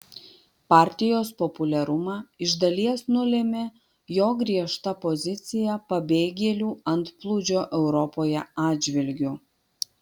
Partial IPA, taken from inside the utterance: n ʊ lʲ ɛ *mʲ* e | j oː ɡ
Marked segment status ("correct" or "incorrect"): correct